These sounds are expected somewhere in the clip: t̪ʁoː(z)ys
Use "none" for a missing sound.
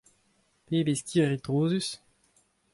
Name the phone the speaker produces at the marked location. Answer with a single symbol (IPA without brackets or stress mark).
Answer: z